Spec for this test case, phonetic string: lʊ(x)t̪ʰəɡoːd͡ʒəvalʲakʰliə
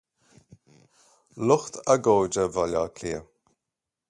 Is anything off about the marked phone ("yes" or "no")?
no